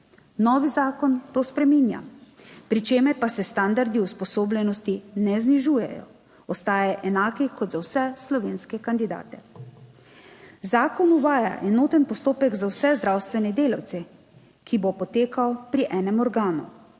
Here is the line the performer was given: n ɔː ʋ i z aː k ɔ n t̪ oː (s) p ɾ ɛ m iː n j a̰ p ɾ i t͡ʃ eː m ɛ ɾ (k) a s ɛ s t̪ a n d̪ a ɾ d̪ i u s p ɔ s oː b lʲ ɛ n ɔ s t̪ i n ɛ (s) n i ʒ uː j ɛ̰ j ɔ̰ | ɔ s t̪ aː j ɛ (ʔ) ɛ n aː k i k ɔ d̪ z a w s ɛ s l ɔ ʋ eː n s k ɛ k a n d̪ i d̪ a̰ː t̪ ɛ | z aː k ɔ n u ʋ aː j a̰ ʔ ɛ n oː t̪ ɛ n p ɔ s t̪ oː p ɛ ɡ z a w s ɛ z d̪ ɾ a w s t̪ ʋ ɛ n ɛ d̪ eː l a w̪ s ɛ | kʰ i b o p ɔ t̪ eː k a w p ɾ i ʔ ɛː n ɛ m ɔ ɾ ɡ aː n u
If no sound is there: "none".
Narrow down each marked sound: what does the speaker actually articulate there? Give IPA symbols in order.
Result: s, p, z, ʔ

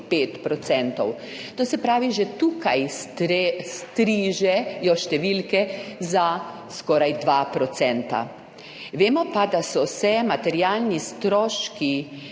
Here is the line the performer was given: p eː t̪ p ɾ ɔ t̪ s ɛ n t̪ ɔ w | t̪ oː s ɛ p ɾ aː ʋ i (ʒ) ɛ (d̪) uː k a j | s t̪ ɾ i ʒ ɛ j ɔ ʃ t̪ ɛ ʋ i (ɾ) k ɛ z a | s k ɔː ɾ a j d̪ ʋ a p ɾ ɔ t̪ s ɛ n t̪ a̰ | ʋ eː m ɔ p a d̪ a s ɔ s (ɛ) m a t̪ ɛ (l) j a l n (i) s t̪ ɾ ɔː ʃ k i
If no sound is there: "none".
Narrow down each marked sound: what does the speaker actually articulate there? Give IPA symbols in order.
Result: ʒ, t̪, l, ɛ, ɾ, i

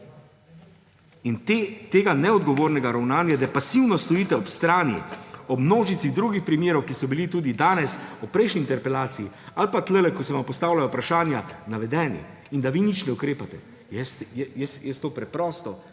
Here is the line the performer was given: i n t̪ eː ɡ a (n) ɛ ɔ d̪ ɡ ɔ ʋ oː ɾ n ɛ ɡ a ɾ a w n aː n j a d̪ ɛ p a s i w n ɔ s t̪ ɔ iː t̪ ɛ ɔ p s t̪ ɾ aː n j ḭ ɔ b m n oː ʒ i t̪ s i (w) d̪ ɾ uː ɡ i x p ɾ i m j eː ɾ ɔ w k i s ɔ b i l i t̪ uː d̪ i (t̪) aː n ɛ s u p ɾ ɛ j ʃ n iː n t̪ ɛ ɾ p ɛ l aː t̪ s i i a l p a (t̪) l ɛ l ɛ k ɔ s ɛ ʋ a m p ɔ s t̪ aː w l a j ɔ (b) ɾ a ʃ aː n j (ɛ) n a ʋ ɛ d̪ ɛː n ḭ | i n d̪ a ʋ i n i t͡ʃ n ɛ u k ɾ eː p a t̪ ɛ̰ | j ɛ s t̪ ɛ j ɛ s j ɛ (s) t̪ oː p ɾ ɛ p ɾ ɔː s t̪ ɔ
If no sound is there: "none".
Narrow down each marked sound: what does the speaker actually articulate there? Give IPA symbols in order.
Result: n, ɣ, d̪, t̪, p, a, s

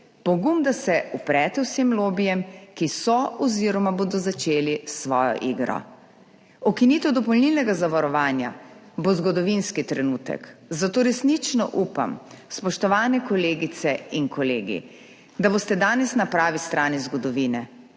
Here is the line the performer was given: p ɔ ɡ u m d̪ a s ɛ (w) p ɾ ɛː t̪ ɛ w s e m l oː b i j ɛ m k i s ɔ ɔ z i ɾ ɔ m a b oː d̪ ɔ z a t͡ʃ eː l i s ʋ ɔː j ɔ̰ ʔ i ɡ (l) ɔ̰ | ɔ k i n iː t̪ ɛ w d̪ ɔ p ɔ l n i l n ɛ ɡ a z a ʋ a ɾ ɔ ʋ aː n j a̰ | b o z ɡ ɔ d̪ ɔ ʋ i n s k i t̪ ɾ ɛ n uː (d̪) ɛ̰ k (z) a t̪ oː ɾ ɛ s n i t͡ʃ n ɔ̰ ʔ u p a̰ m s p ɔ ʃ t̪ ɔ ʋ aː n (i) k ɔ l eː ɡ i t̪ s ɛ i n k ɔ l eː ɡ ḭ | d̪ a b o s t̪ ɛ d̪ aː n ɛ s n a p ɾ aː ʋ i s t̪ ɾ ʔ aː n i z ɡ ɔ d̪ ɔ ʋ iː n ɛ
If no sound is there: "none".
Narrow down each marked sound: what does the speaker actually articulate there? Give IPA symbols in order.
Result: u, ɾ, t̪, z, ɛ

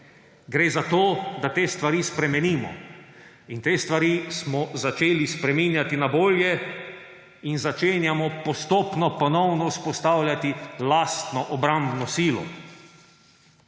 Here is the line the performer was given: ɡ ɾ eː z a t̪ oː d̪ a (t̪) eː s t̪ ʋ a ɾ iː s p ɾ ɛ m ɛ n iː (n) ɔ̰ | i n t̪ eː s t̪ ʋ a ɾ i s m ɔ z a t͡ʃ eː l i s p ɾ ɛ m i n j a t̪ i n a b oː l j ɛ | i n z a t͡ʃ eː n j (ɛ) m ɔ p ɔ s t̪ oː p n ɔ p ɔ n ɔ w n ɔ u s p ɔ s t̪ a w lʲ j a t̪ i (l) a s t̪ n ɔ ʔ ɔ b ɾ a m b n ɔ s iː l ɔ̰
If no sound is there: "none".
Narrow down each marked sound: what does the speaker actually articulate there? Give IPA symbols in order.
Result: t̪, m, a, l

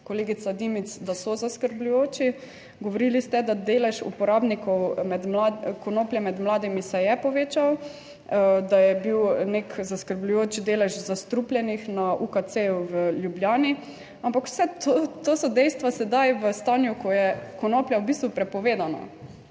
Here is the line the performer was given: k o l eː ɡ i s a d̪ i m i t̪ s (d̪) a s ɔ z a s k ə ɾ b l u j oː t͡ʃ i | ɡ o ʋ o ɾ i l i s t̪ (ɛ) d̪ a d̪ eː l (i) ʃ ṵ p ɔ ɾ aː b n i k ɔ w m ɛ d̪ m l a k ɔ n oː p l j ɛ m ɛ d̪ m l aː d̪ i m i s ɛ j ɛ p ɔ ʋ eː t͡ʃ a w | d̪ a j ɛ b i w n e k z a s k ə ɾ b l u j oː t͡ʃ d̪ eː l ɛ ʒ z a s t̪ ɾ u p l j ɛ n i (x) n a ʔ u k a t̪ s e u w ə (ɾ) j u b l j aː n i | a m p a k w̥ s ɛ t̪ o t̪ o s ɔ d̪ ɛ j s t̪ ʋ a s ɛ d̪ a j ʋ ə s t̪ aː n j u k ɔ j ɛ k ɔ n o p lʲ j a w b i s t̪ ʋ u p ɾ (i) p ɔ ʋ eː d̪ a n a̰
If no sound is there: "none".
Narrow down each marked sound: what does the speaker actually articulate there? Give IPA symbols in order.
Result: d̪, ɛ, ɛ, x, l, ɛ

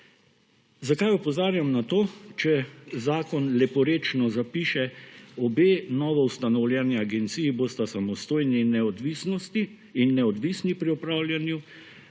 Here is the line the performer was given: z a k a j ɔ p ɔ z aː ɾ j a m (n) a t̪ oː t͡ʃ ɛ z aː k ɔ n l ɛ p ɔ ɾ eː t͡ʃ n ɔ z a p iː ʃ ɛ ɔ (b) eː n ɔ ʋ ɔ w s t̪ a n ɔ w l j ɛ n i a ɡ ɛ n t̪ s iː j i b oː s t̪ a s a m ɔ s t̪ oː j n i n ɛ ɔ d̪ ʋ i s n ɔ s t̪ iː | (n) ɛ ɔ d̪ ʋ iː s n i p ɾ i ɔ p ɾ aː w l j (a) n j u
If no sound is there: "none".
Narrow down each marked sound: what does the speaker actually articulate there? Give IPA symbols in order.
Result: n, b, nː, a

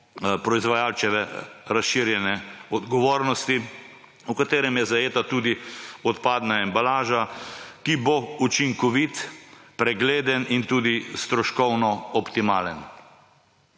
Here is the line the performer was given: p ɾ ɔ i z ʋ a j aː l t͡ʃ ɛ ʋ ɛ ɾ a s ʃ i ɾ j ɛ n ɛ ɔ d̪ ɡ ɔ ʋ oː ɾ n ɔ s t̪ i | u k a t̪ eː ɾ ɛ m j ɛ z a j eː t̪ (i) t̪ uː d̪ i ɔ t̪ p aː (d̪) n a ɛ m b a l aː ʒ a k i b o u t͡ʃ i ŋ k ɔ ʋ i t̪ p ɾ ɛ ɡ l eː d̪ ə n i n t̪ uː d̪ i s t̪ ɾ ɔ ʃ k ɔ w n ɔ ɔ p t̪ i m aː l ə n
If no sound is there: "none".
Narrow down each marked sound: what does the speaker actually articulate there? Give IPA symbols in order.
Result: a, d̪

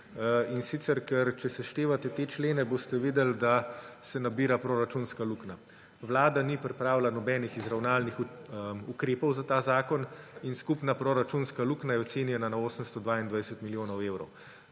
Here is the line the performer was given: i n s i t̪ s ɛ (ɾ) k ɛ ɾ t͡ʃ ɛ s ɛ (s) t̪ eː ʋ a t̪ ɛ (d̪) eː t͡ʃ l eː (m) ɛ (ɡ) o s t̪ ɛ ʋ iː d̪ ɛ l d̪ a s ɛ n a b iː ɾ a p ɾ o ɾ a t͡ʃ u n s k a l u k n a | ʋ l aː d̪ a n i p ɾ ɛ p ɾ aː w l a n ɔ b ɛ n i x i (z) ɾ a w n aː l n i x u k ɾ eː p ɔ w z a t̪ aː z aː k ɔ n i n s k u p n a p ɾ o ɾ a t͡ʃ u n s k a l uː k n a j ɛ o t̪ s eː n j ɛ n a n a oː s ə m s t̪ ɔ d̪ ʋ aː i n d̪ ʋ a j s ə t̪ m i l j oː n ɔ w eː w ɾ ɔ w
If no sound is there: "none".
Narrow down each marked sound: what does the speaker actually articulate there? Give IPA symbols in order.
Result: ɾ, ʃ, t̪, n, b, z

